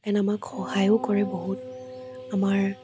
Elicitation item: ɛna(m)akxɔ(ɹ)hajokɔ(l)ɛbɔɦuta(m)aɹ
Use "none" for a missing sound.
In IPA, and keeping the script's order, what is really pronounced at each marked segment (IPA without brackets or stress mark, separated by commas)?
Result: m, none, ɹ, m